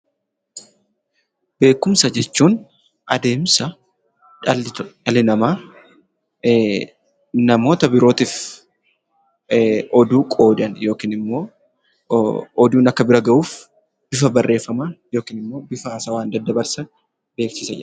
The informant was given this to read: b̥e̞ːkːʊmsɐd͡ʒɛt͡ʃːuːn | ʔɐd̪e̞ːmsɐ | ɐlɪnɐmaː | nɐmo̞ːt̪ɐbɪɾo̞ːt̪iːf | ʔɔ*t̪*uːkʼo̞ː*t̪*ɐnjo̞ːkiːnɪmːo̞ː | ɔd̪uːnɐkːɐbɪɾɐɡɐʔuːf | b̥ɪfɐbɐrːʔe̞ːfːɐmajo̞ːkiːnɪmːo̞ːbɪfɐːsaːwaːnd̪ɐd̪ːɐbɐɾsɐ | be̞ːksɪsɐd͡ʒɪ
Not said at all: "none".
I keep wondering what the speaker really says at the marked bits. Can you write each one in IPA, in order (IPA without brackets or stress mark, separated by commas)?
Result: d̪, d̪